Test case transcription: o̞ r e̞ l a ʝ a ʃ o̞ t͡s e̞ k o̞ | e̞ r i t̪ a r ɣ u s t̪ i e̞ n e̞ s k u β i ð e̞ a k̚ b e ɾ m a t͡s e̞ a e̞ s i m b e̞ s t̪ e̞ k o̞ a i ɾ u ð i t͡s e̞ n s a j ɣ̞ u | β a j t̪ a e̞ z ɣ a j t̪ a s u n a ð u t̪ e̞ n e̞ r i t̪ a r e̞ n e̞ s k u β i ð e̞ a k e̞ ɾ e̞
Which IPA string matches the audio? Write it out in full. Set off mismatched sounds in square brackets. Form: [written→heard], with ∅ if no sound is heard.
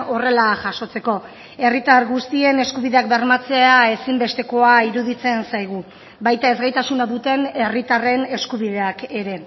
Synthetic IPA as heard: o̞ r e̞ l a ʝ a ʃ o̞ t͡s e̞ k o̞ | e̞ r i t̪ a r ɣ u s t̪ i e̞ n e̞ s k u β i ð e̞ a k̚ b e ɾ m a t͡s e̞ a e̞ s i m b e̞ s t̪ e̞ k o̞ a i ɾ u ð i t͡s e̞ n s a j ɣ̞ u | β a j t̪ a e̞ z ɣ a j t̪ a s u n a ð u t̪ e̞ n e̞ r i t̪ a r e̞ n e̞ s k u β i ð e̞ a k e̞ ɾ e̞